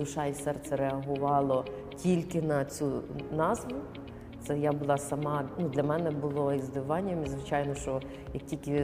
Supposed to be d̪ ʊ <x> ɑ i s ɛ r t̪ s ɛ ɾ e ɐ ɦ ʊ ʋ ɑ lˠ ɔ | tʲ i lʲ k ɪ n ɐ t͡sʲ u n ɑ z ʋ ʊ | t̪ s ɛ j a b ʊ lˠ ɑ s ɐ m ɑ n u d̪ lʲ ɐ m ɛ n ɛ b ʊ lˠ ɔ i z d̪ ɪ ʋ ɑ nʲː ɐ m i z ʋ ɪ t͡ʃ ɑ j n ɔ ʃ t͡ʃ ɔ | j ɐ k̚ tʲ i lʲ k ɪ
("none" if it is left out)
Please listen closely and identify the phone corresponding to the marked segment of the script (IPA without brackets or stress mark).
ʃ